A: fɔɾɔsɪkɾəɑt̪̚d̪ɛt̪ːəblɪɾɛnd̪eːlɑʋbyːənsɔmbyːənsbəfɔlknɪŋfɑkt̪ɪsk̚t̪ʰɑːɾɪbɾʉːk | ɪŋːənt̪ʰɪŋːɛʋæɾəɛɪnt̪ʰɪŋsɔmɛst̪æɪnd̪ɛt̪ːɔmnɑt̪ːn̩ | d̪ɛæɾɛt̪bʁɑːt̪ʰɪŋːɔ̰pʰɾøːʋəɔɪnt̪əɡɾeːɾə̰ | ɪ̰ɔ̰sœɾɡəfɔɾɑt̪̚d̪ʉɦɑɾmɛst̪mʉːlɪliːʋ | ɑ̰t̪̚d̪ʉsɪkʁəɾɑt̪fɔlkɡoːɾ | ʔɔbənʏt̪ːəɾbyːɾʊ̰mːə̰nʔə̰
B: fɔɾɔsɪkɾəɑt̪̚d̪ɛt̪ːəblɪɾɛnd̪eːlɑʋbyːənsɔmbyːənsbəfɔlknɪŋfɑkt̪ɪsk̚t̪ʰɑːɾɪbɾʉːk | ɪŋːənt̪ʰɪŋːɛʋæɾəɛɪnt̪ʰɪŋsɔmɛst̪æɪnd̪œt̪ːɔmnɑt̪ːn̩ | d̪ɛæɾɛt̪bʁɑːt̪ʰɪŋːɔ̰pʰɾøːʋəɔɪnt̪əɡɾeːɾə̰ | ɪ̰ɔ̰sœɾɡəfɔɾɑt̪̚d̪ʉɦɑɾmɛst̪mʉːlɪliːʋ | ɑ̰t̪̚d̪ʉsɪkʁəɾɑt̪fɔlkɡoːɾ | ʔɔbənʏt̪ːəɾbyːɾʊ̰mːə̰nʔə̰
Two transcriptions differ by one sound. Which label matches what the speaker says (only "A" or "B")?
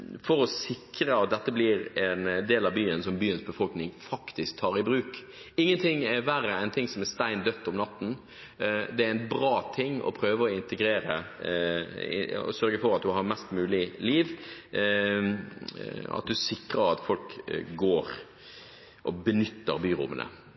B